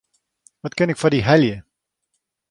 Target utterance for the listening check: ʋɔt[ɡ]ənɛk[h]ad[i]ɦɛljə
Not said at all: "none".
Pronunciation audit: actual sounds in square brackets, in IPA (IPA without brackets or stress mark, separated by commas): k, f, i